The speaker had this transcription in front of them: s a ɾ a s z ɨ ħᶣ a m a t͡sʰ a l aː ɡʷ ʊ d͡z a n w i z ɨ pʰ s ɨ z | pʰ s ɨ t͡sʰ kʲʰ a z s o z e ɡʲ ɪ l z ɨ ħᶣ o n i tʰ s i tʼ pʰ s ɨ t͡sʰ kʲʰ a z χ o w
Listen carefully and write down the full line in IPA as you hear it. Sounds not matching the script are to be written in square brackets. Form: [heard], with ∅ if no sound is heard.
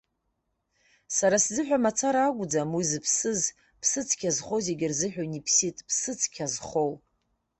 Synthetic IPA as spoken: s a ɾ a s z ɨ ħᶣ a m a t͡sʰ a [ɾ] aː ɡʷ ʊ d͡z a [m] w i z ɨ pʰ s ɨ z | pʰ s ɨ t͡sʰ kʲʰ a z [χ] o z e ɡʲ ɪ [r] z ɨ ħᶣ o n i [pʰ] s i tʼ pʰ s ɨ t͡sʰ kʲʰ a z χ o w